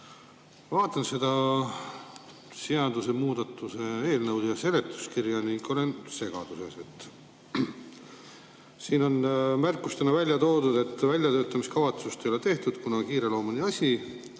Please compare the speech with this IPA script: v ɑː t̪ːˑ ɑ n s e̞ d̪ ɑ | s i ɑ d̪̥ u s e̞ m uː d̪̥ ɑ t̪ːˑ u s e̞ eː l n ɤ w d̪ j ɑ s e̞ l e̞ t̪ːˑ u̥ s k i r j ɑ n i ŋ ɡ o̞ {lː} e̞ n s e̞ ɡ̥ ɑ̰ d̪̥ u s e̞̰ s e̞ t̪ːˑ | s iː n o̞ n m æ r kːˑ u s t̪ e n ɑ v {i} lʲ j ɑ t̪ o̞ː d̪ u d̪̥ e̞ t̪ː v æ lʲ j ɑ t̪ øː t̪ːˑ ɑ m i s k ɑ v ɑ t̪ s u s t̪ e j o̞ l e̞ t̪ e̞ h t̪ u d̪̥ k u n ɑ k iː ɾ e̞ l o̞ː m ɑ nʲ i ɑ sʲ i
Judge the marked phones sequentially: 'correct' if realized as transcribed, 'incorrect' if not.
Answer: incorrect, incorrect

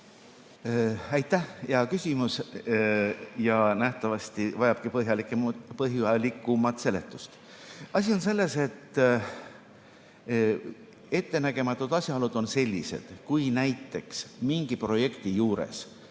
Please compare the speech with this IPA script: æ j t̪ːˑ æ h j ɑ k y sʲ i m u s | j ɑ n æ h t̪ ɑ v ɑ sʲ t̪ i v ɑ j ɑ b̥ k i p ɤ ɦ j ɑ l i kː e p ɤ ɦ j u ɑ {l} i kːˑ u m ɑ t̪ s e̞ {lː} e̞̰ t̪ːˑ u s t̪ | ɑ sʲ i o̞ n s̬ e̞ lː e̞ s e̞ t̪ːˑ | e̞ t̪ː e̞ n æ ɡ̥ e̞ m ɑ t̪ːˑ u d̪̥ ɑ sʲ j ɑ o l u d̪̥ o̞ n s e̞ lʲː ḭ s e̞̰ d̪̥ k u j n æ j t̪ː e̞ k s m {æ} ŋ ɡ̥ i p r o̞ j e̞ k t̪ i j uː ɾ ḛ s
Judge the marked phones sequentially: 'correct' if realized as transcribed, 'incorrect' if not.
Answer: correct, incorrect, incorrect

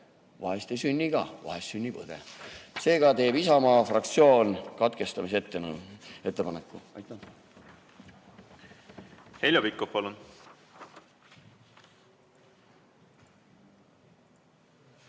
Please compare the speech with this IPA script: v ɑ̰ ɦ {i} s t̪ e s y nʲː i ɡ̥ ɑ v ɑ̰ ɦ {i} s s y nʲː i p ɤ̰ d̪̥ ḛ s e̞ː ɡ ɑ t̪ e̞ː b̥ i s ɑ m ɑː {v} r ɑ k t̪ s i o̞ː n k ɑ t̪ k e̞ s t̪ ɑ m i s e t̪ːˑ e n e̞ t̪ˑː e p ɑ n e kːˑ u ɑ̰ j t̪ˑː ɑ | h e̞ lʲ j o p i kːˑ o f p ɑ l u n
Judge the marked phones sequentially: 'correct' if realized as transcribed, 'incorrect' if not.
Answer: incorrect, incorrect, incorrect

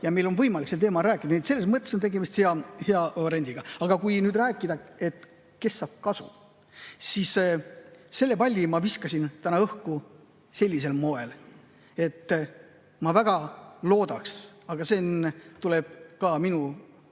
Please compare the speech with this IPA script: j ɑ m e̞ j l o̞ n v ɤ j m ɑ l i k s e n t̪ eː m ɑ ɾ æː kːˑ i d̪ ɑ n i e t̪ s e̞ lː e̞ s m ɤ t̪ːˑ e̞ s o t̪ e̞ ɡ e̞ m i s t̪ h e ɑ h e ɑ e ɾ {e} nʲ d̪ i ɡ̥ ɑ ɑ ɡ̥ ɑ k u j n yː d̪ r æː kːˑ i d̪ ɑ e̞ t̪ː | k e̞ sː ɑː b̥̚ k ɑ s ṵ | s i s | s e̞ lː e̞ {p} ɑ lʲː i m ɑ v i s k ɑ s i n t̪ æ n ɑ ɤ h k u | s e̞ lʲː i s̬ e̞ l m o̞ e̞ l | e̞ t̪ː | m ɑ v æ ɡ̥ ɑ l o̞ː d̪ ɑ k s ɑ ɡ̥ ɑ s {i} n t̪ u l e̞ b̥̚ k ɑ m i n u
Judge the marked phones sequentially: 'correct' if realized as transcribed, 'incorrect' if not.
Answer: correct, correct, incorrect

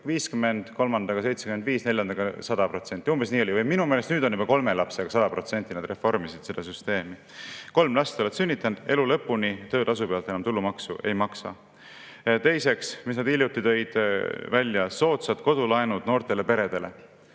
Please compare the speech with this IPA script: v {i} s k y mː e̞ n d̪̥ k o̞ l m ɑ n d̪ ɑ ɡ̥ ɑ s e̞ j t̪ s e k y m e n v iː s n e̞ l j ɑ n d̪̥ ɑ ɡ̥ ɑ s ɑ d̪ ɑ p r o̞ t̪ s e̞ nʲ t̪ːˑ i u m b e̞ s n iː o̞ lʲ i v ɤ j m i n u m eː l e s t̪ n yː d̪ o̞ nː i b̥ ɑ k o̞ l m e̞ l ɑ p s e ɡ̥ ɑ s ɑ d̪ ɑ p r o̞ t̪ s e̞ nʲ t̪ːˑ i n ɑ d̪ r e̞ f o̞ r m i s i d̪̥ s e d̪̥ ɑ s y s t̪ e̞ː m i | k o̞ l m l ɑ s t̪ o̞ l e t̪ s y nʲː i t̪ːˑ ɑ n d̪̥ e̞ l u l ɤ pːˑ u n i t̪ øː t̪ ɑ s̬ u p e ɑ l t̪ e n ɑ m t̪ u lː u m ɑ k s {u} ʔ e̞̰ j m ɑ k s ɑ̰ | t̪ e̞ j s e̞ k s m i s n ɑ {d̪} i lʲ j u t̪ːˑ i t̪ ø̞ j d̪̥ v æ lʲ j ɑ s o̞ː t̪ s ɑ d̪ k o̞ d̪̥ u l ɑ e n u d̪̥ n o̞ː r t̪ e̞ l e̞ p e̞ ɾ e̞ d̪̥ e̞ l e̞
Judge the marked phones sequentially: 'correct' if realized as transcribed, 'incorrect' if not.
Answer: incorrect, correct, correct

